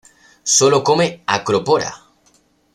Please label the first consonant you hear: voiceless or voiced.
voiceless